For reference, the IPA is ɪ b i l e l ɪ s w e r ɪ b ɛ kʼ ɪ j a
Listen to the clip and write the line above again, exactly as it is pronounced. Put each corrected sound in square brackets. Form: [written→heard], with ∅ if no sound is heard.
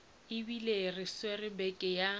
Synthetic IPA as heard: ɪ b i l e [l→r] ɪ s w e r ɪ b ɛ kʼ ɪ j a